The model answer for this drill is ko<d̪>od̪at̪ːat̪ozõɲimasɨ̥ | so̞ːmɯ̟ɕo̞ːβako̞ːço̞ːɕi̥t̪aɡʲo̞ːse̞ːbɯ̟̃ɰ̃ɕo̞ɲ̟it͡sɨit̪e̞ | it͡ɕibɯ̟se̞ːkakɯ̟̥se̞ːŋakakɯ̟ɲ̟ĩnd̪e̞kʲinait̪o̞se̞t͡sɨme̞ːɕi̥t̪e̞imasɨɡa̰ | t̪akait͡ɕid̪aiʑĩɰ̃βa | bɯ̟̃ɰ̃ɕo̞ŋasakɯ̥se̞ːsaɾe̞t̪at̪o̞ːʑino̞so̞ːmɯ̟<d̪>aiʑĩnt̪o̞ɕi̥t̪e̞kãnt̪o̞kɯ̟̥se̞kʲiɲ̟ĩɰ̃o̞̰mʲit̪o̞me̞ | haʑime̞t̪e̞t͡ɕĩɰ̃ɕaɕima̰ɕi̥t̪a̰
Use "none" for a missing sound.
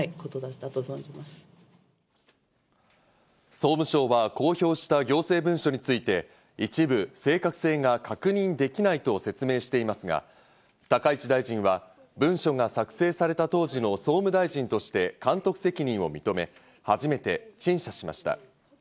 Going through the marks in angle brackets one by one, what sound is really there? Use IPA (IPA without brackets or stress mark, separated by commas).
t̪, d̪